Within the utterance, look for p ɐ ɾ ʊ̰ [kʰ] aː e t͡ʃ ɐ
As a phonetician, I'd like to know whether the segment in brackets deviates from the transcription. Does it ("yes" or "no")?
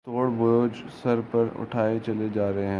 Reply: yes